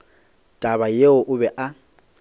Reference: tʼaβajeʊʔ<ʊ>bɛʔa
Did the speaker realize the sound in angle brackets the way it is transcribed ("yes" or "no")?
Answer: yes